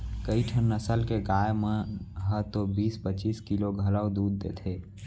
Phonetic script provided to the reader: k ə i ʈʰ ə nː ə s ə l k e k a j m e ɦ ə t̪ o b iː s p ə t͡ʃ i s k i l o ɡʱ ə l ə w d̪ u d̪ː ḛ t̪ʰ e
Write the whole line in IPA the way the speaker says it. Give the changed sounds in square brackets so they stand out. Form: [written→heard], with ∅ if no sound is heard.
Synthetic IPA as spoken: k ə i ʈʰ ə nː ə s ə l k e [k→ɡ] a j m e ɦ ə t̪ o b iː s p ə t͡ʃ i s k i l o ɡʱ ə l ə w d̪ u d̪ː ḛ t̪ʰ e